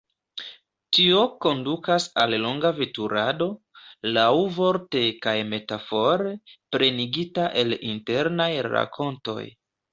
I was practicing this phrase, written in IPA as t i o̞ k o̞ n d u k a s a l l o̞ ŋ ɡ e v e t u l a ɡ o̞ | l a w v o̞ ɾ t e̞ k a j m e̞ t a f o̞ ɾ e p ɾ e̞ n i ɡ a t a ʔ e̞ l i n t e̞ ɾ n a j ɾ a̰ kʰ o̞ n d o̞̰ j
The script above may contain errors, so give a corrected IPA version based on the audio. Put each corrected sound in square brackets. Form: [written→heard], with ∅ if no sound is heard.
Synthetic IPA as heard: t i o̞ k o̞ n d u k a s a l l o̞ ŋ ɡ [e→a] v e t u [l→ɾ] a [ɡ→d] o̞ | l a w v o̞ ɾ t e̞ k a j m e̞ t a f o̞ ɾ e p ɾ e̞ n i ɡ [a→i] t a ʔ e̞ l i n t e̞ ɾ n a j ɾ a̰ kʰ o̞ n [d→t] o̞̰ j